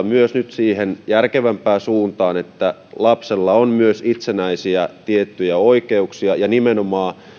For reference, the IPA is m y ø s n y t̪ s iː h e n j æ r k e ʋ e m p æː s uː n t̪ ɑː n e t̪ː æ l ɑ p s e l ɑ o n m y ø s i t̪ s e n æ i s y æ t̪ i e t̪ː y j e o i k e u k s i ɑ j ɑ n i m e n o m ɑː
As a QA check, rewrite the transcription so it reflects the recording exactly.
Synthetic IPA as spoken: m y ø s n y t̪ s iː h e n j æ r k e ʋ æ m p æː s uː n t̪ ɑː n e t̪ː æ l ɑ p s e lː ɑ o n m y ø s i t̪ s e n æ i s i æ t̪ i e t̪ː y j æ o i k e u k s i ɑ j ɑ n i m e n o m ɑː